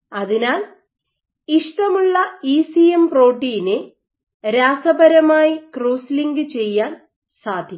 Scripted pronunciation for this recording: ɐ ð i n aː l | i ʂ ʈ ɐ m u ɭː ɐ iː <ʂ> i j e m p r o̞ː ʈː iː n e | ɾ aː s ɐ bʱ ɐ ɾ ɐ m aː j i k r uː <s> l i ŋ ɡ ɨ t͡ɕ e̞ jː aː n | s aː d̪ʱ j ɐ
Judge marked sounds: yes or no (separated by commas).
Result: no, yes